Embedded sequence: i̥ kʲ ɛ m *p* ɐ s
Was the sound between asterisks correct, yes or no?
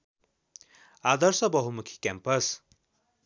yes